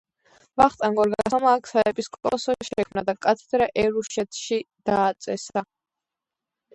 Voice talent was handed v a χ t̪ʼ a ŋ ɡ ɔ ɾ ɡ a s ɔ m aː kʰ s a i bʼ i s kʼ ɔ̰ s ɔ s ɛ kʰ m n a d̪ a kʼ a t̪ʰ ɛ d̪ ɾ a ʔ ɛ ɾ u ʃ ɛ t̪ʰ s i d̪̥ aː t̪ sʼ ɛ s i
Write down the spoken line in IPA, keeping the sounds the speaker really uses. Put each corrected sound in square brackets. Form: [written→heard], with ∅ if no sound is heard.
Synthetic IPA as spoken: v a χ t̪ʼ a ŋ ɡ ɔ ɾ ɡ a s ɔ m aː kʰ s a [i→ɛ] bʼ i s kʼ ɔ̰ s ɔ [s→ʃ] ɛ kʰ m n a d̪ a kʼ a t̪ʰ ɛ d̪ ɾ a ʔ ɛ ɾ u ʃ ɛ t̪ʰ [s→ʃ] i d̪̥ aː t̪ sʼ ɛ s [i→a]